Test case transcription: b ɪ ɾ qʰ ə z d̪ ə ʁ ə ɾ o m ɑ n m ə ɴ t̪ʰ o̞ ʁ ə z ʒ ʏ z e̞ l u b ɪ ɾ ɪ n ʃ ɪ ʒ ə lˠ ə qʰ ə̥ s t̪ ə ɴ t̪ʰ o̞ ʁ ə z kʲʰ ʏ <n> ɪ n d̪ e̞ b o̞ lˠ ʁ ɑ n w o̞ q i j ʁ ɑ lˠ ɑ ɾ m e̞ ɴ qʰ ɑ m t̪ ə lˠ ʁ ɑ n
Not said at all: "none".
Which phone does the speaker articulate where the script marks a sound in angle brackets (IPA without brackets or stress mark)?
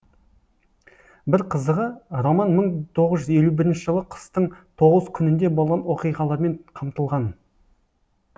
n